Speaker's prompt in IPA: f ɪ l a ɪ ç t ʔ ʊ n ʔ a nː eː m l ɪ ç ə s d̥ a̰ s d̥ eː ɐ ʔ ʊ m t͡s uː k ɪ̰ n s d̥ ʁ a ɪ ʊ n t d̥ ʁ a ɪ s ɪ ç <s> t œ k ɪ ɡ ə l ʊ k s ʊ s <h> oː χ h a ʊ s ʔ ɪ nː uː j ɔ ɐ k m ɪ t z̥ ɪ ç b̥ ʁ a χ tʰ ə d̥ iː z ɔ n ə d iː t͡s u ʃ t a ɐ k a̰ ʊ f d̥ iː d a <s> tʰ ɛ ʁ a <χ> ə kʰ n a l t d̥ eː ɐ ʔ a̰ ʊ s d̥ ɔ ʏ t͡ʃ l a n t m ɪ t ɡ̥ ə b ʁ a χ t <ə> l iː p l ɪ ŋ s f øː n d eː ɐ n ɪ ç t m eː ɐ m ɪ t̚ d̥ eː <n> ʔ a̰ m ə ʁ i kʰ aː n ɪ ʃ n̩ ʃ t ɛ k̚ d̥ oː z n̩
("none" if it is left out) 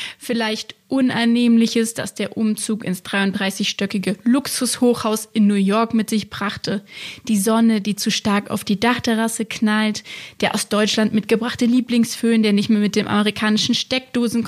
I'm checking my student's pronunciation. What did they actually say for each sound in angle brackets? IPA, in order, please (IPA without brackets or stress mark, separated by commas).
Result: ʃ, h, χ, s, ə, m